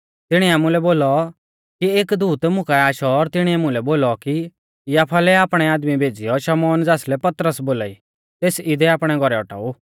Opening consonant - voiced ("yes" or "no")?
no